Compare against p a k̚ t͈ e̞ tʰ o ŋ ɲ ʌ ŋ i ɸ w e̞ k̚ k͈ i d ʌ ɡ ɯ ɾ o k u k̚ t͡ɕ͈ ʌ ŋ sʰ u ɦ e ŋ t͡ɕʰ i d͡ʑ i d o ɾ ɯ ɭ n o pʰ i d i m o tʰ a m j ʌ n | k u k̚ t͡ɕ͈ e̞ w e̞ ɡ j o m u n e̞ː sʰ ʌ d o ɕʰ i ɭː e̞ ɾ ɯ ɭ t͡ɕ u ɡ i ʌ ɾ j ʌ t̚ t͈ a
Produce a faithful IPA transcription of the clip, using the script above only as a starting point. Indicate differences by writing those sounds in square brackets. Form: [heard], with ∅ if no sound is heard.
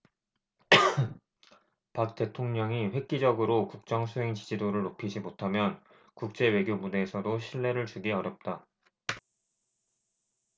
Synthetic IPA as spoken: p a k̚ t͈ e̞ tʰ o ŋ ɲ ʌ ŋ i ɸ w e̞ k̚ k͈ i [d͡ʑ] ʌ ɡ ɯ ɾ o k u k̚ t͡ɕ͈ ʌ ŋ sʰ u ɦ e ŋ [t͡ɕ] i d͡ʑ i d o ɾ ɯ ɭ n o pʰ i [d͡ʑ] i m o tʰ a m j ʌ n | k u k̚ t͡ɕ͈ e̞ w e̞ ɡ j o m u n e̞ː sʰ ʌ d o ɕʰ i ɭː e̞ ɾ ɯ ɭ t͡ɕ u ɡ i ʌ ɾ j ʌ [p̚] t͈ a

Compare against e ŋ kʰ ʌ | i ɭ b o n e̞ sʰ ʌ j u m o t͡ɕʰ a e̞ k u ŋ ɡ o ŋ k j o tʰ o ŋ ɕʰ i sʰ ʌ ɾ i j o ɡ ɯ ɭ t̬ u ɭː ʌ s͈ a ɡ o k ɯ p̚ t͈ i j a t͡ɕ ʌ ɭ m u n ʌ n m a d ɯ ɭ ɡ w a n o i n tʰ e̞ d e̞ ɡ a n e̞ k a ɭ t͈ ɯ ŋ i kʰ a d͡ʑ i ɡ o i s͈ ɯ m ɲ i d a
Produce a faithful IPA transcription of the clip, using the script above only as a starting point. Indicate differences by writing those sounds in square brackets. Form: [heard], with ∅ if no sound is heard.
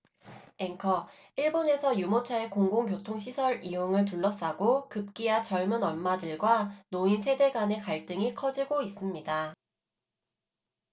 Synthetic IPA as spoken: e ŋ kʰ ʌ | i ɭ b o n e̞ sʰ ʌ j u m o t͡ɕʰ a e̞ k [o] ŋ ɡ o ŋ k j o tʰ o ŋ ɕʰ i sʰ ʌ ɾ i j o [ŋ] ɯ ɭ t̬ u ɭː ʌ s͈ a ɡ o k ɯ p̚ [k͈] i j a t͡ɕ ʌ ɭ m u n ʌ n m a d ɯ ɭ ɡ w a n o i n [sʰ] e̞ d e̞ ɡ a n e̞ k a ɭ t͈ ɯ ŋ i kʰ [ʌ] d͡ʑ i ɡ o i s͈ ɯ m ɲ i d a

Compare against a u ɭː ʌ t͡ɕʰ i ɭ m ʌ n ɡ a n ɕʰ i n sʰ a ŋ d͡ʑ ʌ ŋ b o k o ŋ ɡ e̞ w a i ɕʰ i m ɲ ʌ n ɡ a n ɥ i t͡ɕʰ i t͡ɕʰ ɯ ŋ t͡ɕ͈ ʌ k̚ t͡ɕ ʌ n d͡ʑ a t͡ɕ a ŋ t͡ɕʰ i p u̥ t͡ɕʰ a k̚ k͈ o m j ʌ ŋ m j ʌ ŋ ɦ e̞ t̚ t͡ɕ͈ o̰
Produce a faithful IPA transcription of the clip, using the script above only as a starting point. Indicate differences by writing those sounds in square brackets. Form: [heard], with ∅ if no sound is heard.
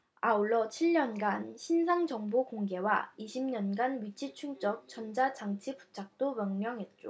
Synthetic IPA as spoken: a u ɭː ʌ t͡ɕʰ i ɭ [ɲ] ʌ n ɡ a n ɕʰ i n sʰ a ŋ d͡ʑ ʌ ŋ b o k o ŋ ɡ e̞ w a i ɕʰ i m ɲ ʌ n ɡ a n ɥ i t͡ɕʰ i t͡ɕʰ [u] ŋ t͡ɕ͈ ʌ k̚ t͡ɕ ʌ n d͡ʑ a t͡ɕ a ŋ t͡ɕʰ i p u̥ t͡ɕʰ a k̚ [t͈] o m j ʌ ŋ m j ʌ ŋ ɦ e̞ t̚ t͡ɕ͈ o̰

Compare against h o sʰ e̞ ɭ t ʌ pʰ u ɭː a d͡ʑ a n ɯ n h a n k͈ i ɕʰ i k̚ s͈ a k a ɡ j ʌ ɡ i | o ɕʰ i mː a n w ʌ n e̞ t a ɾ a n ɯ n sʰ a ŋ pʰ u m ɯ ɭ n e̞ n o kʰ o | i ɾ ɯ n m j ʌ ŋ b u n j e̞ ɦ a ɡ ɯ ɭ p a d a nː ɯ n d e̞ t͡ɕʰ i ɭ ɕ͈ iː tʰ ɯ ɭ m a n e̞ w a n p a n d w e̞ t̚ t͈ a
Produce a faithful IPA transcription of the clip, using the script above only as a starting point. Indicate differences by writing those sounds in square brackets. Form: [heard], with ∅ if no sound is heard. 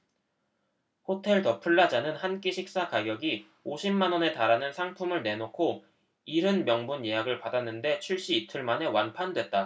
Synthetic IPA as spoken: h o [tʰ] e̞ ɭ t ʌ pʰ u ɭː a d͡ʑ a n ɯ n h a n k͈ i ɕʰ i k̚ s͈ a k a ɡ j ʌ ɡ i | o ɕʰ i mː a n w ʌ n e̞ t a ɾ a n ɯ n sʰ a ŋ pʰ u m ɯ ɭ n e̞ n o kʰ o | i ɾ ɯ n m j ʌ ŋ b u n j e̞ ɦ a ɡ ɯ ɭ p a d a nː ɯ n d e̞ t͡ɕʰ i ɭ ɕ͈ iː tʰ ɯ ɭ m a n e̞ w a n [pʰ] a n d w e̞ t̚ t͈ a

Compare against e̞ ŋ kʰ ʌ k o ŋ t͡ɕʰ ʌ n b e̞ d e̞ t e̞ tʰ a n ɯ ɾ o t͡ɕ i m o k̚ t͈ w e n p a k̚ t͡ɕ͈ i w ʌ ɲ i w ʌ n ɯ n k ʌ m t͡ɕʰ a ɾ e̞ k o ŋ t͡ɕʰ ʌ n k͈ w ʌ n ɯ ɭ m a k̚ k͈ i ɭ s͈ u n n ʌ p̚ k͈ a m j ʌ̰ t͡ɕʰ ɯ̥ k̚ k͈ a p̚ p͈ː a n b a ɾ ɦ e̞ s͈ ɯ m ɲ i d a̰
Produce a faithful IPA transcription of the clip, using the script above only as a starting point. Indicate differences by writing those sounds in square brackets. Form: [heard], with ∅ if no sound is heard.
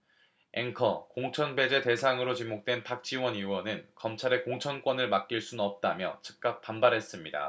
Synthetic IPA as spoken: e̞ ŋ kʰ ʌ k o ŋ t͡ɕʰ ʌ n b e̞ [d͡ʑ] e̞ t e̞ [sʰ] a [ŋ] ɯ ɾ o t͡ɕ i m o k̚ t͈ w e n p a k̚ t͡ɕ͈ i w ʌ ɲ i w ʌ n ɯ n k ʌ m t͡ɕʰ a ɾ e̞ k o ŋ t͡ɕʰ ʌ n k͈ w ʌ n ɯ ɭ m a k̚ k͈ i ɭ s͈ u n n ʌ p̚ [t͈] a m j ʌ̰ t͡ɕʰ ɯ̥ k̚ k͈ a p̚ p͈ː a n b a ɾ ɦ e̞ s͈ ɯ m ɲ i d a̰

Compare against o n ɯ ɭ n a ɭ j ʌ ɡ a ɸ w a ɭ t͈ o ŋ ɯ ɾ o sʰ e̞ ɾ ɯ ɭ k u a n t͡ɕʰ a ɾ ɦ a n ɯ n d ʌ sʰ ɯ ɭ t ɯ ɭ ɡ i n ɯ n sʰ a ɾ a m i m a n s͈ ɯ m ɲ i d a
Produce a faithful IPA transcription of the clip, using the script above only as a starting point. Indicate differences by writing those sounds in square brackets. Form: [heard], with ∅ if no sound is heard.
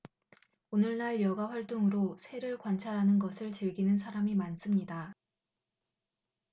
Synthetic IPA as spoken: o n ɯ ɭ n a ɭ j ʌ ɡ a ɸ w a ɭ t͈ o ŋ ɯ ɾ o sʰ e̞ ɾ ɯ ɭ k [w] a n t͡ɕʰ a ɾ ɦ a n ɯ n [ɡ] ʌ sʰ ɯ ɭ [t͡ɕ] ɯ ɭ ɡ i n ɯ n sʰ a ɾ a m i m a n s͈ ɯ m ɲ i d a

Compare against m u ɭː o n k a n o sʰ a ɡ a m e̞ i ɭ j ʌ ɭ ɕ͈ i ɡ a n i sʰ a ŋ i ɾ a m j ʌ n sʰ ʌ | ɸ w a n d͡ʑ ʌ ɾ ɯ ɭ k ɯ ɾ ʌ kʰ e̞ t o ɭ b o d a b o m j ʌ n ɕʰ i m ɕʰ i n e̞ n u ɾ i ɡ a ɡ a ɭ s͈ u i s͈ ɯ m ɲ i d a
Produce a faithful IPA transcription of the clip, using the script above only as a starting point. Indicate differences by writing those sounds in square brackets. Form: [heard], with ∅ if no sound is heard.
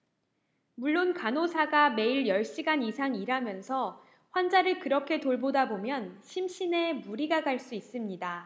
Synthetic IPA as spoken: m u ɭː o n k a n o sʰ a ɡ a m e̞ i ɭ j ʌ ɭ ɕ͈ i ɡ a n i sʰ a ŋ i ɾ a m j ʌ n sʰ ʌ | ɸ w a n d͡ʑ [a] ɾ ɯ ɭ k ɯ ɾ ʌ kʰ e̞ t o ɭ b o d a b o m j ʌ n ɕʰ i m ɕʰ i n e̞ [m] u ɾ i ɡ a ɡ a ɭ s͈ u i s͈ ɯ m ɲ i d a

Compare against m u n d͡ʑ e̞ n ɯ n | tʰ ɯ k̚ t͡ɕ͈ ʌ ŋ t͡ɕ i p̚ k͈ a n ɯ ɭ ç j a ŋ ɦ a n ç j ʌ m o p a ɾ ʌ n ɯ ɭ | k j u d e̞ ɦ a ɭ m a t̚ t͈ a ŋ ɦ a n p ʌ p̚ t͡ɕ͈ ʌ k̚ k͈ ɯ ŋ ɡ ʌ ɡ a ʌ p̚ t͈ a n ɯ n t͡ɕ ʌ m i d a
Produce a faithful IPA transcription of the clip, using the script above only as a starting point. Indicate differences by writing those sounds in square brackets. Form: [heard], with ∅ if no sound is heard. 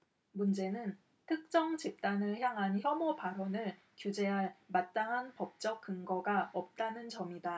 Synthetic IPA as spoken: m u n d͡ʑ e̞ n ɯ n | tʰ ɯ k̚ t͡ɕ͈ ʌ ŋ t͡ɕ i p̚ [t͈] a n ɯ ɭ ç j a ŋ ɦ a n ç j ʌ m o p a ɾ ʌ n ɯ ɭ | k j u [d͡ʑ] e̞ ɦ a ɭ m a t̚ t͈ a ŋ ɦ a n p ʌ p̚ t͡ɕ͈ ʌ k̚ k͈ ɯ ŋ ɡ ʌ ɡ a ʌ p̚ t͈ a n ɯ n t͡ɕ ʌ m i d a

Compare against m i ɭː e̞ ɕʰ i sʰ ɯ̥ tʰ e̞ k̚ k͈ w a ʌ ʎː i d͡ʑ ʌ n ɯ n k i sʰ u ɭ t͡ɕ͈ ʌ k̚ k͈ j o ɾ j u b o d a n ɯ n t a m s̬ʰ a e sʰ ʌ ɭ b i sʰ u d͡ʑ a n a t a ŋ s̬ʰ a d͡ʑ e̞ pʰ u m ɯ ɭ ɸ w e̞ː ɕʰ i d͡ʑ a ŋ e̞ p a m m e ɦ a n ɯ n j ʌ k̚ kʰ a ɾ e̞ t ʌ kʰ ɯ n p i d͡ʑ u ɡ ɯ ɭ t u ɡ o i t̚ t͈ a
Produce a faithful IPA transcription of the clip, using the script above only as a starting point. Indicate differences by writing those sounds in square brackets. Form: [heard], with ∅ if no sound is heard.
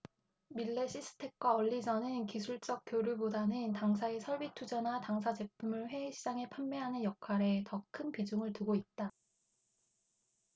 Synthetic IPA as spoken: m i ɭː e̞ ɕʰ i sʰ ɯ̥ tʰ e̞ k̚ k͈ w a ʌ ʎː i d͡ʑ ʌ n ɯ n k i sʰ u ɭ t͡ɕ͈ ʌ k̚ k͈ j o ɾ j u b o d a n ɯ n t a [ŋ] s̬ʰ a e sʰ ʌ ɭ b i [tʰ] u d͡ʑ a n a t a ŋ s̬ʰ a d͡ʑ e̞ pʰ u m ɯ ɭ ɸ w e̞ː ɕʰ i d͡ʑ a ŋ e̞ [pʰ] a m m e ɦ a n ɯ n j ʌ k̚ kʰ a ɾ e̞ t ʌ kʰ ɯ n p i d͡ʑ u [ŋ] ɯ ɭ t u ɡ o i t̚ t͈ a

